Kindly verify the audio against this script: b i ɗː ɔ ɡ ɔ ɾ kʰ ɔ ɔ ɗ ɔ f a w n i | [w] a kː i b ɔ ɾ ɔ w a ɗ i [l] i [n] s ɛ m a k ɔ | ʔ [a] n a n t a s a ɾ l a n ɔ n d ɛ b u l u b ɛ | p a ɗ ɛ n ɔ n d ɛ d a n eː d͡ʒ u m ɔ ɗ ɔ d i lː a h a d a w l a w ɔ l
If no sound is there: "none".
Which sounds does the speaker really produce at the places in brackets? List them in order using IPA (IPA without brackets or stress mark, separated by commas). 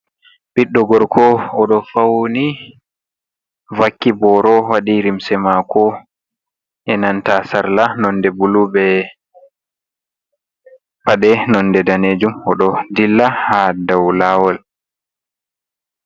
v, ɾ, m, ɛ